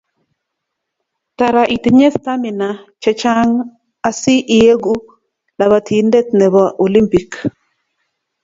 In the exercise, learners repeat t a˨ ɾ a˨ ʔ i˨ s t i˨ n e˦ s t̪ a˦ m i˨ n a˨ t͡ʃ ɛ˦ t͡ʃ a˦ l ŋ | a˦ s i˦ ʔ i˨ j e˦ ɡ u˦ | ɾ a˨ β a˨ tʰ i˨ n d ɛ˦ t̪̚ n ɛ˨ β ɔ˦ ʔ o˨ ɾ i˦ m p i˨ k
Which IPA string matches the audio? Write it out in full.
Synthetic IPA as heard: t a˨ ɾ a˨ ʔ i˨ t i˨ ɲ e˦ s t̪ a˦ m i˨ n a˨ t͡ʃ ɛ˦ t͡ʃ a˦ ŋ | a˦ s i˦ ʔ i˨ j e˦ ɡ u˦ | l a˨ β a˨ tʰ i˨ n d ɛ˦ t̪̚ n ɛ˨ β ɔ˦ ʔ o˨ l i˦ m p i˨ k